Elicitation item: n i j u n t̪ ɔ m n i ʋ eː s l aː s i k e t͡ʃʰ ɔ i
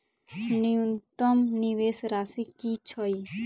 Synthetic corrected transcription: n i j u n t̪ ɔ m n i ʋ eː s ɾ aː s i k i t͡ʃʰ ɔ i